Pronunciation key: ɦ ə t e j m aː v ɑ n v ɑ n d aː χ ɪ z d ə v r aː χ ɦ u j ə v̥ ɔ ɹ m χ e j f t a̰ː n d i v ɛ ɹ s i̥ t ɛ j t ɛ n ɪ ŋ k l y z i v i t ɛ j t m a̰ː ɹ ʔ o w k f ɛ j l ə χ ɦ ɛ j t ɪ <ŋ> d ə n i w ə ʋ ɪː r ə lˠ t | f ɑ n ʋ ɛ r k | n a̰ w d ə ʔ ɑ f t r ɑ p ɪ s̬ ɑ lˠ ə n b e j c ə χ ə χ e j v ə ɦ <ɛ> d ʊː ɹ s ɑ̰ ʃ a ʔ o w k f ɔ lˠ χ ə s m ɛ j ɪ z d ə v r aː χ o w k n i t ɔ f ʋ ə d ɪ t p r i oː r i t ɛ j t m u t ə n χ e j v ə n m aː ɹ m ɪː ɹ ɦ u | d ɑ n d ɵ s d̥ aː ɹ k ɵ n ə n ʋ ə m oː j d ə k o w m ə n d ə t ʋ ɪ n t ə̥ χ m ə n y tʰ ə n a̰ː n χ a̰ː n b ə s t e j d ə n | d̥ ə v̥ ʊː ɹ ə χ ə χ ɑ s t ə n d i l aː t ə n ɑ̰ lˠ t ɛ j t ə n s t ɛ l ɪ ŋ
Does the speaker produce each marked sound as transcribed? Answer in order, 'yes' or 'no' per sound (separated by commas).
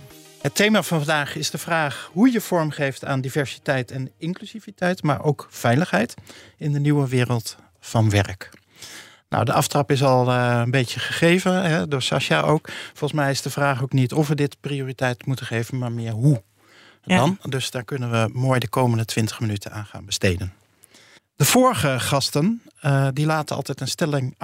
no, yes